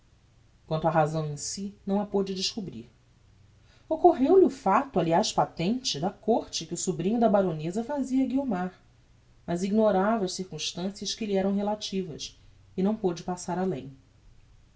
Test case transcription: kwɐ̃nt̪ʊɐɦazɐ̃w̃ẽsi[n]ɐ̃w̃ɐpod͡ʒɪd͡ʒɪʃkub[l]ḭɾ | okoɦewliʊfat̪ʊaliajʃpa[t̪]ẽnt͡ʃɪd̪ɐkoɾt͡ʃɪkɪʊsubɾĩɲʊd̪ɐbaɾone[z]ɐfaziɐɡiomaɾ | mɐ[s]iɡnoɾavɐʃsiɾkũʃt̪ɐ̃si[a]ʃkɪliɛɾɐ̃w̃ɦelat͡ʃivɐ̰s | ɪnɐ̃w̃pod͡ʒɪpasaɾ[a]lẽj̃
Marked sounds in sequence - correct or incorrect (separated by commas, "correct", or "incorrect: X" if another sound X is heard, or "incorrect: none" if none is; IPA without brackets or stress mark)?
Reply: correct, incorrect: ɾ, correct, correct, incorrect: z, incorrect: ɐ, correct